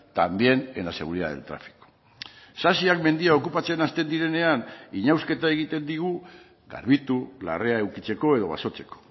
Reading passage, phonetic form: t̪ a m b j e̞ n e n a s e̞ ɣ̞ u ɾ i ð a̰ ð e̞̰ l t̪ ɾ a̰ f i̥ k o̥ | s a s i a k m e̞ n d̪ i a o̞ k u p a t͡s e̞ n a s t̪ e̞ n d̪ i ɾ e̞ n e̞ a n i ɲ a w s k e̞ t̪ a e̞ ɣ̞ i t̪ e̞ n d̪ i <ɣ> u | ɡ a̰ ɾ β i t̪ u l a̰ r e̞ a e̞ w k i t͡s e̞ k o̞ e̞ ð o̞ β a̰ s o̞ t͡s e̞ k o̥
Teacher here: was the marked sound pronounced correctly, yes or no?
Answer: yes